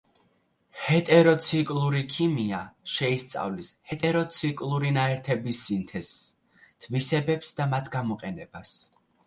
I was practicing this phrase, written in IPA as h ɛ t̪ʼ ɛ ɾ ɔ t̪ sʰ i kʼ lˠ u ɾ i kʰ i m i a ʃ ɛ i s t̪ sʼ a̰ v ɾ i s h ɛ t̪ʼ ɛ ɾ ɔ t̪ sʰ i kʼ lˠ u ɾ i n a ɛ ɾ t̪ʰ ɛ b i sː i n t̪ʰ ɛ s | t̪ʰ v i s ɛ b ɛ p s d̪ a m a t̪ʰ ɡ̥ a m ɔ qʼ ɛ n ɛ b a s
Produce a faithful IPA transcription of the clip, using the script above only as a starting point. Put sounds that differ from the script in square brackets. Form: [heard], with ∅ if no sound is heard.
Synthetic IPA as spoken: h ɛ t̪ʼ ɛ ɾ ɔ t̪ sʰ i kʼ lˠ u ɾ i kʰ i m i a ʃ ɛ i s t̪ sʼ a̰ v [l] i s h ɛ t̪ʼ ɛ ɾ ɔ t̪ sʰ i kʼ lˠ u ɾ i n a ɛ ɾ t̪ʰ ɛ b i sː i n t̪ʰ ɛ s | t̪ʰ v i s ɛ b ɛ p s d̪ a m a t̪ʰ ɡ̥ a m ɔ qʼ ɛ n ɛ b a s

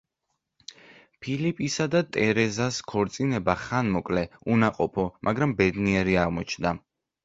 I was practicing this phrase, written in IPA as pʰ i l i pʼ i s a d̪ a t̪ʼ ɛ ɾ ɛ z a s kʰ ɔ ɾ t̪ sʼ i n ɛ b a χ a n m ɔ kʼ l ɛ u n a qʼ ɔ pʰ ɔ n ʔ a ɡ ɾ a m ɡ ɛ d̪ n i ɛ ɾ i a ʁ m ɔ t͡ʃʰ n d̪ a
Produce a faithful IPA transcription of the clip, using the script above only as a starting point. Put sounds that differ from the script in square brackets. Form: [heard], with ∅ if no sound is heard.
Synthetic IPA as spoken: pʰ i l i pʼ i s a d̪ a t̪ʼ ɛ ɾ ɛ z a s kʰ ɔ ɾ t̪ sʼ i n ɛ b a χ a n m ɔ kʼ l ɛ u n a qʼ ɔ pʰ ɔ [m] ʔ a ɡ ɾ a m [b] ɛ d̪ n i ɛ ɾ i a ʁ m ɔ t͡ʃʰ n d̪ a

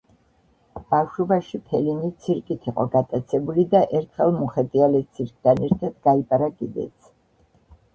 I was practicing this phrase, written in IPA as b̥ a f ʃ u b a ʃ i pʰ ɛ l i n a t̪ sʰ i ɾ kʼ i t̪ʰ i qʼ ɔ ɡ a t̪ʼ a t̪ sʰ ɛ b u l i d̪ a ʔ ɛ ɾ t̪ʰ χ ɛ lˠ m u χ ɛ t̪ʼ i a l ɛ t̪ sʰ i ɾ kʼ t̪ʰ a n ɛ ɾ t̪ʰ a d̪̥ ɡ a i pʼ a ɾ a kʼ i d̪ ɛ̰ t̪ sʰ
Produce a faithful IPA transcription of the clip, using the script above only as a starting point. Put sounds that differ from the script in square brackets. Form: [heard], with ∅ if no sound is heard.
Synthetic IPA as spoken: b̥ a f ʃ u b a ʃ i pʰ ɛ l i n [i] t̪ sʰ i ɾ kʼ i t̪ʰ i qʼ ɔ ɡ a t̪ʼ a t̪ sʰ ɛ b u l i d̪ a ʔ ɛ ɾ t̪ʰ χ ɛ lˠ m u χ ɛ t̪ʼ i a l ɛ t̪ sʰ i ɾ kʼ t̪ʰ a n ɛ ɾ t̪ʰ a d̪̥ ɡ a i pʼ a ɾ a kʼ i d̪ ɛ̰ t̪ sʰ

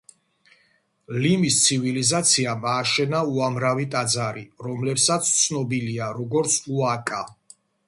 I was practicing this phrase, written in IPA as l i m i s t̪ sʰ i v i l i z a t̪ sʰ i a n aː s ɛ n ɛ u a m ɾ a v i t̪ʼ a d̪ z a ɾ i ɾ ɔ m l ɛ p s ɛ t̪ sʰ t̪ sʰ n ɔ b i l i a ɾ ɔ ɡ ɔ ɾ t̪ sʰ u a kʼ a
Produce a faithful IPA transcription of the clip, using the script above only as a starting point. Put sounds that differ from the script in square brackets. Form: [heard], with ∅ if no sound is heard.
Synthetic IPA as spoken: l i m i s t̪ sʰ i v i l i z a t̪ sʰ i a [m] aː [ʃ] ɛ n [a] u a m ɾ a v i t̪ʼ a d̪ z a ɾ i ɾ ɔ m l ɛ p s [a] t̪ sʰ t̪ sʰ n ɔ b i l i a ɾ ɔ ɡ ɔ ɾ t̪ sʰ u a kʼ a

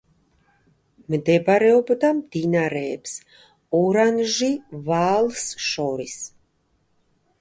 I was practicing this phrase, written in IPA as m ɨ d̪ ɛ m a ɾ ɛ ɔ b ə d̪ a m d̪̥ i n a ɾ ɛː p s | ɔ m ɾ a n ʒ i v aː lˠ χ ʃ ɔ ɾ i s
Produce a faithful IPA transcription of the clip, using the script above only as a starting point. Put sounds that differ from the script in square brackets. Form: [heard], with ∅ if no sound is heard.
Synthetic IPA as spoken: m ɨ d̪ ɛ [b] a ɾ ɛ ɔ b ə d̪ a m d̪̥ i n a ɾ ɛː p s | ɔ [∅] ɾ a n ʒ i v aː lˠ [s] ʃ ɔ ɾ i s

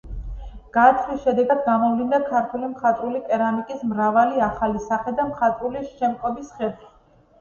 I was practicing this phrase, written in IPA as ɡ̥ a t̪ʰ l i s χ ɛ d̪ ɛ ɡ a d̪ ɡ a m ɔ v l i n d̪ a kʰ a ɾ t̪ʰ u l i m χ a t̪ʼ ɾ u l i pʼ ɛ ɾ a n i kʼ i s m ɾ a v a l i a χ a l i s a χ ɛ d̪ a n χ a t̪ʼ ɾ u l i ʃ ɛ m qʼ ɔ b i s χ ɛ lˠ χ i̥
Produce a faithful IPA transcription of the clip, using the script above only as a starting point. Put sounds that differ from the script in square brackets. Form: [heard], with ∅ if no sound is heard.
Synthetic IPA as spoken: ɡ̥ a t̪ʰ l i s [ʃ] ɛ d̪ ɛ ɡ a d̪ ɡ a m ɔ v l i n d̪ a kʰ a ɾ t̪ʰ u l i m χ a t̪ʼ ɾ u l i pʼ ɛ ɾ a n i kʼ i s m ɾ a v a l i a χ a l i s a χ ɛ d̪ a [m] χ a t̪ʼ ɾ u l i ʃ ɛ m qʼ ɔ b i s χ ɛ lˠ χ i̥

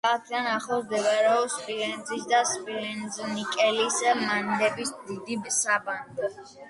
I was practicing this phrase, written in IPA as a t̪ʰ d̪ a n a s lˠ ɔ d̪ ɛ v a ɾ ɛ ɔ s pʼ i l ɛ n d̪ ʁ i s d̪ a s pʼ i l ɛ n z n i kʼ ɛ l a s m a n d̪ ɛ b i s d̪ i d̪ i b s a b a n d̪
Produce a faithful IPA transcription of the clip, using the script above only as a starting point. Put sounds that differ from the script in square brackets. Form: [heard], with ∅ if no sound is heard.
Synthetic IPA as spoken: a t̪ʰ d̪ a n a [χ] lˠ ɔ d̪ ɛ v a ɾ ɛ ɔ s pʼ i l ɛ n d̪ [z] i s d̪ a s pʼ i l ɛ n z n i kʼ ɛ l [i] s m a n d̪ ɛ b i s d̪ i d̪ i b s a b a n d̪

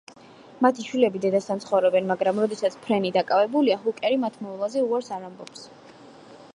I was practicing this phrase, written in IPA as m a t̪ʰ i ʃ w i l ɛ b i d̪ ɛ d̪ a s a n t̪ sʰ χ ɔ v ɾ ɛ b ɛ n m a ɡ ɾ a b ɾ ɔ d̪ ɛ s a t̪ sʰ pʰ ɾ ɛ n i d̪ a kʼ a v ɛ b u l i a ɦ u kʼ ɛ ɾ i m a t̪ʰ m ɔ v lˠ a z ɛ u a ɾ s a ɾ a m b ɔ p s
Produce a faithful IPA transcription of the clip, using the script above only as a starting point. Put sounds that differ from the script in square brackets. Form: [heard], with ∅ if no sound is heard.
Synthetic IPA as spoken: m a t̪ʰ i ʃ w i l ɛ b i d̪ ɛ d̪ a s a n t̪ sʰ χ ɔ v ɾ ɛ b ɛ n m a ɡ ɾ a [m] ɾ ɔ d̪ ɛ s a t̪ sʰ pʰ ɾ ɛ n i d̪ a kʼ a v ɛ b u l i a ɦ u kʼ ɛ ɾ i m a t̪ʰ m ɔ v lˠ a z ɛ u a ɾ s a ɾ a m b ɔ p s

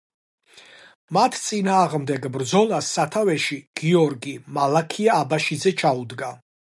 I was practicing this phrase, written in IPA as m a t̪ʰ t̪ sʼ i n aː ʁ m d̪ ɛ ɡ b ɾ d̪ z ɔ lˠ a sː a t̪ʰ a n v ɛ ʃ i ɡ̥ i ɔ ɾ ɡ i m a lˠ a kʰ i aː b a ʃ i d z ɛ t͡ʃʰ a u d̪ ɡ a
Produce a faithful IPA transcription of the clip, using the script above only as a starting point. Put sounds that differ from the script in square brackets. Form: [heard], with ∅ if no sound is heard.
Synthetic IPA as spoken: m a t̪ʰ t̪ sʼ i n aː ʁ m d̪ ɛ ɡ b ɾ d̪ z ɔ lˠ a sː a t̪ʰ a [∅] v ɛ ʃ i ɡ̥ i ɔ ɾ ɡ i m a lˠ a kʰ i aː b a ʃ i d z ɛ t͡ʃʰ a u d̪ ɡ a

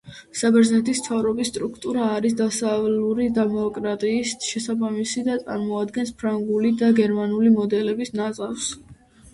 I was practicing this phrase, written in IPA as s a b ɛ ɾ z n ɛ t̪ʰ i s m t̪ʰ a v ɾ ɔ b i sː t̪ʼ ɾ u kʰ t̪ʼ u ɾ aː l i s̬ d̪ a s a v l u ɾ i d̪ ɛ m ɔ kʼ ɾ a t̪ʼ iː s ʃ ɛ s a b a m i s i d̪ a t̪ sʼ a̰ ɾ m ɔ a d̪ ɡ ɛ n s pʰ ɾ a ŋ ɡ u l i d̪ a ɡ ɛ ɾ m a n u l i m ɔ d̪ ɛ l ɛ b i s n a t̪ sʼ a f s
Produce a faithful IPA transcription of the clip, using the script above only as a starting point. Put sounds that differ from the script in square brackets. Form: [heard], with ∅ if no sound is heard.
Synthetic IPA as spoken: s a b ɛ ɾ z n ɛ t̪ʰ i s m t̪ʰ a v ɾ ɔ b i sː t̪ʼ ɾ u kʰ t̪ʼ u ɾ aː [ɾ] i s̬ d̪ a s a v l u ɾ i d̪ ɛ m ɔ kʼ ɾ a t̪ʼ iː s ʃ ɛ s a b a m i s i d̪ a t̪ sʼ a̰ ɾ m ɔ a d̪ ɡ ɛ n s pʰ ɾ a ŋ ɡ u l i d̪ a ɡ ɛ ɾ m a n u l i m ɔ d̪ ɛ l ɛ b i s n a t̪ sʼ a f s

